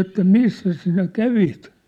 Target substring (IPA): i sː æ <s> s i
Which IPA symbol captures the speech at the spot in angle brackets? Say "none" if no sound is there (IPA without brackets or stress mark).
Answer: s